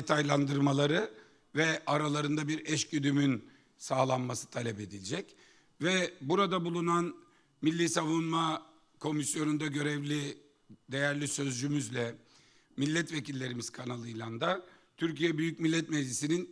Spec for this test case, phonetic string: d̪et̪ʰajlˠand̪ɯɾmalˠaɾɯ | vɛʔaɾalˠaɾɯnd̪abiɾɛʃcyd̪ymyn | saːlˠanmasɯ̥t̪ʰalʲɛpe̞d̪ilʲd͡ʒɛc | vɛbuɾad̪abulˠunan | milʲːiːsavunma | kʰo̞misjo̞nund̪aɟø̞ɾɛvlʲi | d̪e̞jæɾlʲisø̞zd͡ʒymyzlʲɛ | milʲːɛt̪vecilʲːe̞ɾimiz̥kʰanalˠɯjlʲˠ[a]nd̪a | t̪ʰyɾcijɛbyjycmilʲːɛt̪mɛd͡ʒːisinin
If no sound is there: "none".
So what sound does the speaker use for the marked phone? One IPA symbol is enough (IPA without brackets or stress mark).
a